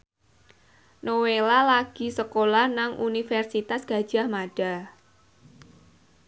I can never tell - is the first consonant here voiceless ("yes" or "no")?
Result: no